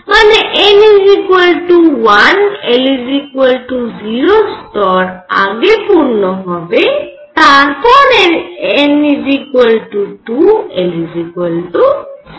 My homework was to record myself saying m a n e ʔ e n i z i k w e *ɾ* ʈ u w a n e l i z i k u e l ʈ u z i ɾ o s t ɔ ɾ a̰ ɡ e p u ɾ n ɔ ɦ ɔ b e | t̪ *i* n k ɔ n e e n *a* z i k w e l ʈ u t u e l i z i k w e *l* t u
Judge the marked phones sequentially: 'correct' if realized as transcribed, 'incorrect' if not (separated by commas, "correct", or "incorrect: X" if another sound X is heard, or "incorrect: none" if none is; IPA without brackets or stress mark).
incorrect: l, incorrect: a, incorrect: i, correct